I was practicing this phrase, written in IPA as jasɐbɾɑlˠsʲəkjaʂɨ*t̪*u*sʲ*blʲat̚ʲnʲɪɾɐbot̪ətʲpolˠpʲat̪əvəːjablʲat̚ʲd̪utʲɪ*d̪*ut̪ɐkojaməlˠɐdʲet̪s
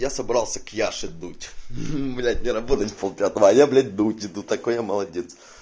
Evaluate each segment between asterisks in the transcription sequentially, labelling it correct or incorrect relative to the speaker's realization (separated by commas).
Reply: incorrect, incorrect, correct